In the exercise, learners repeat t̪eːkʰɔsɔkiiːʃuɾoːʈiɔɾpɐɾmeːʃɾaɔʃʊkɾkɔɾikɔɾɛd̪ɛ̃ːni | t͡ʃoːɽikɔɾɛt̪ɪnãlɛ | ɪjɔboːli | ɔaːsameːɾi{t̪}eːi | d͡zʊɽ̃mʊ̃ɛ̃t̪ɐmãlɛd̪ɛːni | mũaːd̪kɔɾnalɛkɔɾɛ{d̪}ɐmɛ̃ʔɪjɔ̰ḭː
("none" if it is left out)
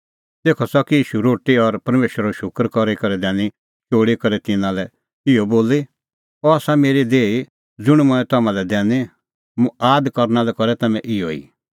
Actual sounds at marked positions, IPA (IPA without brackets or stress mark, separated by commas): d̪, t̪